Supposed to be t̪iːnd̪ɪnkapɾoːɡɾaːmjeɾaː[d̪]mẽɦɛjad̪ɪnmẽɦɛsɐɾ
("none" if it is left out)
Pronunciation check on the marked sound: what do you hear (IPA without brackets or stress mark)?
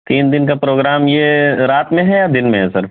t̪